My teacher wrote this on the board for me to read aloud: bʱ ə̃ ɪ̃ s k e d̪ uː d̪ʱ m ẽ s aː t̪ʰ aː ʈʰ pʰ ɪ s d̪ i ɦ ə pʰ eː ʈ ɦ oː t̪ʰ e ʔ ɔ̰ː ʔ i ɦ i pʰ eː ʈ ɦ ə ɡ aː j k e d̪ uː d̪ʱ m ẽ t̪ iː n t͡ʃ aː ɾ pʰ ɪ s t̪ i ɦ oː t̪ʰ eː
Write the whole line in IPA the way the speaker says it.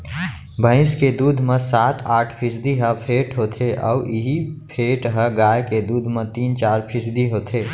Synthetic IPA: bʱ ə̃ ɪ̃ s k e d̪ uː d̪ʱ m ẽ s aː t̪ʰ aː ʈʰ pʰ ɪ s d̪ i ɦ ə pʰ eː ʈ ɦ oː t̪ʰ e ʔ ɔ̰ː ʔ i ɦ i pʰ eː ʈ ɦ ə ɡ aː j k e d̪ uː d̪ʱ m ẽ t̪ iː n t͡ʃ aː ɾ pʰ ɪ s d̪ i ɦ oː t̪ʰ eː